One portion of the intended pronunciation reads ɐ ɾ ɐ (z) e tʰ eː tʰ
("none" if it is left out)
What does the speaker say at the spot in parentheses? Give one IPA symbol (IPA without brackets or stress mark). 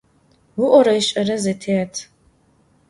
z